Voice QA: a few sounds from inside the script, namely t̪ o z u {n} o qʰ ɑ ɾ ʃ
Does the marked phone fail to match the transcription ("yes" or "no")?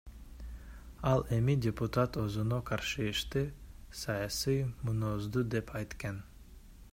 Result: no